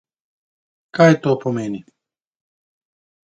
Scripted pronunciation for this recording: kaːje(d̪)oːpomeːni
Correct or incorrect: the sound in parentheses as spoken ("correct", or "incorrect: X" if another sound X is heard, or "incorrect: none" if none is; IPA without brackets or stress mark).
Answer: incorrect: t̪